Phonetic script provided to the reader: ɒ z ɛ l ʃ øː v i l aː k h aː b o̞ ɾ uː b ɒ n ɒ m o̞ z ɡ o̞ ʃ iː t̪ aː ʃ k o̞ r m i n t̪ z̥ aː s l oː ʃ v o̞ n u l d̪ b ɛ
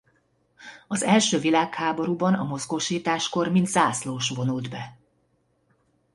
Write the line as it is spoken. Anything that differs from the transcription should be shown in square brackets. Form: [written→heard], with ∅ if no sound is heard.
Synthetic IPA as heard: ɒ z ɛ l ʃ øː v i l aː k h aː b o̞ ɾ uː b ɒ n ɒ m o̞ z ɡ o̞ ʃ iː t̪ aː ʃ k o̞ r m i n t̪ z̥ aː s l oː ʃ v o̞ n u l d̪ b ɛ